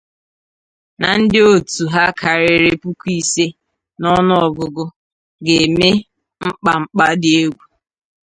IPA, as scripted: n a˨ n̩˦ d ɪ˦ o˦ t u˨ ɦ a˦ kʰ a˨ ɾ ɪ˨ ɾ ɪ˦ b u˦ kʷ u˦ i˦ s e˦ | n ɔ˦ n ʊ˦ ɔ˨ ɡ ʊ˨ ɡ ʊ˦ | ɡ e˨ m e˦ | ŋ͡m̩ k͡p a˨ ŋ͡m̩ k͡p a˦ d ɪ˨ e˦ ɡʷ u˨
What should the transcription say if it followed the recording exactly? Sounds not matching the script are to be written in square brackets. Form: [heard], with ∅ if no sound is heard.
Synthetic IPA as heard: n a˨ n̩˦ d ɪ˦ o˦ t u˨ ɦ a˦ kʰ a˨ ɾ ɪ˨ ɾ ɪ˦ [p] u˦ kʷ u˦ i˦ s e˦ | n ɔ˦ n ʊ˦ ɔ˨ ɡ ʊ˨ ɡ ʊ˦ | ɡ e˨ m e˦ | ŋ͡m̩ k͡p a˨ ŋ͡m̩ k͡p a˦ d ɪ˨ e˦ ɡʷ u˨